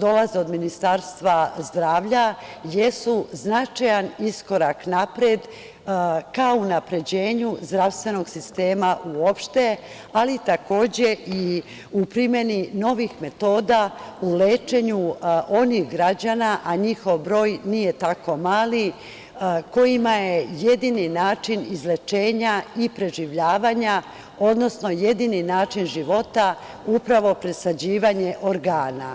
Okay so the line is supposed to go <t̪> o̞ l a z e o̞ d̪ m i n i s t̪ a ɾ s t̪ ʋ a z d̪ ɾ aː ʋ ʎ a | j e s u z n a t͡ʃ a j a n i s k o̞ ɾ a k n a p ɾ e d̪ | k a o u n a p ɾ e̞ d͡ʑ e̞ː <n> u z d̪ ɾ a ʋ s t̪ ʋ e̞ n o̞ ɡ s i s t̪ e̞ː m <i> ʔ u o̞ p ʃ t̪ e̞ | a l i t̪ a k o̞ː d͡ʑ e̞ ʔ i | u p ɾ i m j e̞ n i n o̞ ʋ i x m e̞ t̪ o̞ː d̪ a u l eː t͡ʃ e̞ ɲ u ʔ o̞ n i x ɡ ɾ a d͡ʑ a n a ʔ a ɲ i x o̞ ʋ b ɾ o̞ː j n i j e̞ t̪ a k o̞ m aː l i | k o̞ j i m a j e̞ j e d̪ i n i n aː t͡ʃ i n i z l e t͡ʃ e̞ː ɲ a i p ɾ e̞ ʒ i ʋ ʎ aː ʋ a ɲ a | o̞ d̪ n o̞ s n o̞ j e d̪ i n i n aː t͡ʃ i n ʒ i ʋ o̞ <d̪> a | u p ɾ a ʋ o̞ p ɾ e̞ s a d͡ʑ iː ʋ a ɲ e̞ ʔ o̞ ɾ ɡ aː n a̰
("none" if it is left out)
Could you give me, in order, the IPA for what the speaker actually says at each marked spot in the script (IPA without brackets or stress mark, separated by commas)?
d̪, ɲ, a, t̪